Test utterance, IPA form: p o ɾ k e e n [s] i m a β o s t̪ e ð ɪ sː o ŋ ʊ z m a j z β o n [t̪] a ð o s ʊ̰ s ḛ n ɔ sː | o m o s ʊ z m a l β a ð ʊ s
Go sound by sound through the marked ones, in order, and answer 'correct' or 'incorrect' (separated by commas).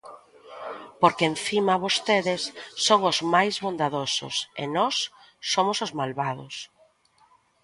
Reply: incorrect, incorrect